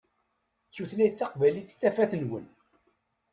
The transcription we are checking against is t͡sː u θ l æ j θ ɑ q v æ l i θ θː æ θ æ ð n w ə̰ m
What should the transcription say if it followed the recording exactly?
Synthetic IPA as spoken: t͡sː u θ l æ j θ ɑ q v æ l i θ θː æ f æ θ n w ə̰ n